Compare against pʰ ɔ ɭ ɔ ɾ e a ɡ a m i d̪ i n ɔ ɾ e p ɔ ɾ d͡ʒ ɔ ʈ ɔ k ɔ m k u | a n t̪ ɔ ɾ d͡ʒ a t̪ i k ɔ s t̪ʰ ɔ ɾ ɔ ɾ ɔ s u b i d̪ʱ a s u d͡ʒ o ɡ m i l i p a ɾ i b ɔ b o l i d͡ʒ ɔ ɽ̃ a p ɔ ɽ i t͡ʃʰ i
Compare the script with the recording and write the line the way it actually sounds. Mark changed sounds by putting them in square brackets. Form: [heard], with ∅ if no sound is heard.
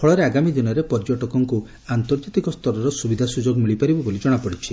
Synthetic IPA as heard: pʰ ɔ ɭ ɔ ɾ e a ɡ a m i d̪ i n ɔ ɾ e p ɔ ɾ d͡ʒ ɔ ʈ ɔ k ɔ [ŋ] k u | a n t̪ ɔ ɾ d͡ʒ a t̪ i k ɔ s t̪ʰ ɔ ɾ ɔ ɾ ɔ s u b i d̪ʱ a s u d͡ʒ o ɡ m i [ɭ] i p a ɾ i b ɔ b o l i d͡ʒ ɔ ɽ̃ a p ɔ ɽ i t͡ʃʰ i